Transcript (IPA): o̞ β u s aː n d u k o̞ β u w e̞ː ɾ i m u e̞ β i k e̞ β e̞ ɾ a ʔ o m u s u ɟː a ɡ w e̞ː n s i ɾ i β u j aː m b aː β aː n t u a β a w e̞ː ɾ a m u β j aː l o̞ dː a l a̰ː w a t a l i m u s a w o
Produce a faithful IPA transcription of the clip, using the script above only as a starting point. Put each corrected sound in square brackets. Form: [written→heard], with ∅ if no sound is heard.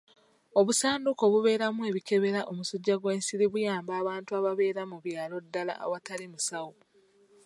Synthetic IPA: o̞ β u s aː n d u k o̞ β u [w→β] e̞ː ɾ [i→a] m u e̞ β i k e̞ β e̞ ɾ a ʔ o m u s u ɟː a ɡ w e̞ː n s i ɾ i β u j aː m b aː β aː n t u a β a [w→β] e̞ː ɾ a m u β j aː l o̞ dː a l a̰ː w a t a l i m u s a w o